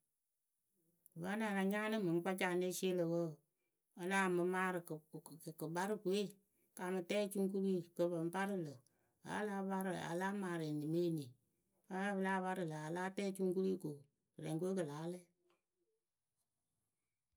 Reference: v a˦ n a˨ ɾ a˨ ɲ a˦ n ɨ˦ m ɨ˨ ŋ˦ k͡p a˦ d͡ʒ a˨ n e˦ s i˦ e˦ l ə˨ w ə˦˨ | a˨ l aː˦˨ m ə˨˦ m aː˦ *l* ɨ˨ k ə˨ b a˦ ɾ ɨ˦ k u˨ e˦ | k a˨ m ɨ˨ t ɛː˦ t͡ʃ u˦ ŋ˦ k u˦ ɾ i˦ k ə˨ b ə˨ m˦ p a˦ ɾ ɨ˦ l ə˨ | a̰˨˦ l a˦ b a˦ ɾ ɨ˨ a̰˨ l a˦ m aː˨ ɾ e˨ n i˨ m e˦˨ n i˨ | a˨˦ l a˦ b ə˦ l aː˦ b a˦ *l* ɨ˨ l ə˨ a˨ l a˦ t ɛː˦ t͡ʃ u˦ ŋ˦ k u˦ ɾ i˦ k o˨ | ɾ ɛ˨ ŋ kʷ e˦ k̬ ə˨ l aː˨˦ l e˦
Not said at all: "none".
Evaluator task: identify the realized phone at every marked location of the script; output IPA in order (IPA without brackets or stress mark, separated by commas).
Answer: ɾ, ɾ